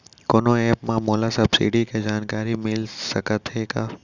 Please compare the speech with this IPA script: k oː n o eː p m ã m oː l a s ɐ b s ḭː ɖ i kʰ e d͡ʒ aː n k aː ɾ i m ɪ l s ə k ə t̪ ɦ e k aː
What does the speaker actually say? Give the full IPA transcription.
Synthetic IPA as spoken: k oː n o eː p m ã m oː l a s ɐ b s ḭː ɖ i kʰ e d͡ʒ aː n k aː ɾ i m ɪ l s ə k ə t̪ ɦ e k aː